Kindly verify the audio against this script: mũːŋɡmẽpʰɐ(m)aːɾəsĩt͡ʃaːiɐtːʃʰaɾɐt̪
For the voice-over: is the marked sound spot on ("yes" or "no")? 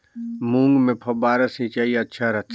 no